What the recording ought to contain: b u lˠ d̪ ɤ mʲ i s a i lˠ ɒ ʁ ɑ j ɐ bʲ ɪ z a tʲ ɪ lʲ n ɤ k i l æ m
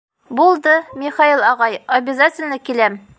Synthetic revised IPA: b u lˠ d̪ ɤ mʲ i χ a i lˠ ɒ ʁ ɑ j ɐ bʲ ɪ z a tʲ ɪ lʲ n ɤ k i l æ m